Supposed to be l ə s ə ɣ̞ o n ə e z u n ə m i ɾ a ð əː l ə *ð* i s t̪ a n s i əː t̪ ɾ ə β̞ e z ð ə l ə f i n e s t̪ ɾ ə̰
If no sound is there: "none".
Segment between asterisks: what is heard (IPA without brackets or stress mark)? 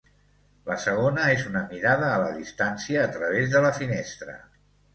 ð